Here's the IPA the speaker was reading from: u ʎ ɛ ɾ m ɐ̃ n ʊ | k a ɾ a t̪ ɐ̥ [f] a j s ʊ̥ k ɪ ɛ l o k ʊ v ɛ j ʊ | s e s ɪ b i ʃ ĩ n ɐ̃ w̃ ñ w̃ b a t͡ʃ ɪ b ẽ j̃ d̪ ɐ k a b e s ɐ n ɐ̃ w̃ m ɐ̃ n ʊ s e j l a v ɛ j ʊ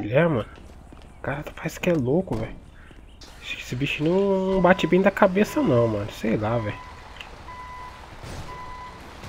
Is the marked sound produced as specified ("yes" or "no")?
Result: yes